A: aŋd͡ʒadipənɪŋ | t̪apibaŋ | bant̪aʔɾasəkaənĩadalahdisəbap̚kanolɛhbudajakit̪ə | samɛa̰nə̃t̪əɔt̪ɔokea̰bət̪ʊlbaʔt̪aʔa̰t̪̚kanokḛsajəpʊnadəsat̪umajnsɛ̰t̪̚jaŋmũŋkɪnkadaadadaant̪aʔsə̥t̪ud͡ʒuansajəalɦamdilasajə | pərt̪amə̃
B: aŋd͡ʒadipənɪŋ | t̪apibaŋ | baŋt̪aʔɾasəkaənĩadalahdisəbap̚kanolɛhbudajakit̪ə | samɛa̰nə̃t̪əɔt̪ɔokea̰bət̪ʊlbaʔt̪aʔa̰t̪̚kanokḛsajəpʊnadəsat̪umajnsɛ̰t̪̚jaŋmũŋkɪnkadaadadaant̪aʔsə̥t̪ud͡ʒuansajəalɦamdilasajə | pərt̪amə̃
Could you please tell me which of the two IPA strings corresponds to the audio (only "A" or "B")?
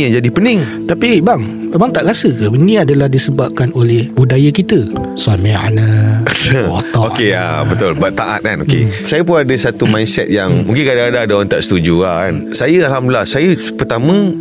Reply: B